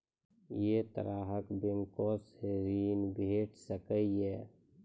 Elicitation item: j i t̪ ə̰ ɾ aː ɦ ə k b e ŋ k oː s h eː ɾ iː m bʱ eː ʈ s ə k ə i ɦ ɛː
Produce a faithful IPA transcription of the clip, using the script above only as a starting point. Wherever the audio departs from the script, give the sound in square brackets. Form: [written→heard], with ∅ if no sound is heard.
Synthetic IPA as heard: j [i→e] t̪ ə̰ ɾ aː ɦ ə k b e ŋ k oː s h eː ɾ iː [m→n] bʱ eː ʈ s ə k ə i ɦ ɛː

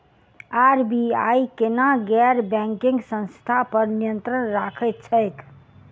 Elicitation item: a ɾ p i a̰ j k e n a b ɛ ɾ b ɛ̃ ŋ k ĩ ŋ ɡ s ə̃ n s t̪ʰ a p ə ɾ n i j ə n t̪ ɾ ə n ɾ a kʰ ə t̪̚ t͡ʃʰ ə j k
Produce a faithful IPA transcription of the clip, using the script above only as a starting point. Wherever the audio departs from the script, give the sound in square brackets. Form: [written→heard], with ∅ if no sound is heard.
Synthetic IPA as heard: a ɾ [p→b] i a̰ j k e n a [b→ɡ] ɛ ɾ b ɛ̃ ŋ k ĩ ŋ ɡ s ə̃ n s t̪ʰ a p ə ɾ n i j ə n t̪ ɾ ə n ɾ a kʰ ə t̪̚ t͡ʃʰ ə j k

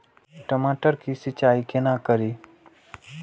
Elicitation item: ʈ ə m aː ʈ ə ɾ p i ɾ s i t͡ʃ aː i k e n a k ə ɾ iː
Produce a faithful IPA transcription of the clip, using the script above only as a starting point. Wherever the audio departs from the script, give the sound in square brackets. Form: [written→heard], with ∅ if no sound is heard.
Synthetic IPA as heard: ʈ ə m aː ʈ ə ɾ [p→k] i [ɾ→∅] s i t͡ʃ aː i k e n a k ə ɾ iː

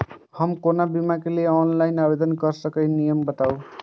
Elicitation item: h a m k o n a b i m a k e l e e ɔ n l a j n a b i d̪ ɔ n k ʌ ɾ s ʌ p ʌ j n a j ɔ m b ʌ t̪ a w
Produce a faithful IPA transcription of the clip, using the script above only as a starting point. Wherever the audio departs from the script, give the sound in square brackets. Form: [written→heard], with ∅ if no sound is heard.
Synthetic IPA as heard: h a m k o n a b i m a k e l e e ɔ n l a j n a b [i→e] d̪ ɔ n k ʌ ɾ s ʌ [p→k] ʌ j n [a→i] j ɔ m b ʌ t̪ a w

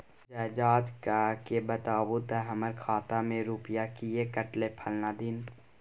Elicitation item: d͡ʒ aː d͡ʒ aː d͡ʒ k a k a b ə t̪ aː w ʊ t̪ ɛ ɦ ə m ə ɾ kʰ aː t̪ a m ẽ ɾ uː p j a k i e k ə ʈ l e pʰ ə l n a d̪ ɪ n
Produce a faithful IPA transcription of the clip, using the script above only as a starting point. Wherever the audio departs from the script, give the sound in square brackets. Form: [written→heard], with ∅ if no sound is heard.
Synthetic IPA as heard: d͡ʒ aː d͡ʒ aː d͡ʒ k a k [a→e] b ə t̪ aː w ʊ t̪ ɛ ɦ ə m ə ɾ kʰ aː t̪ a m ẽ ɾ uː p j a k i e k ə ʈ l e pʰ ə l n a d̪ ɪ n

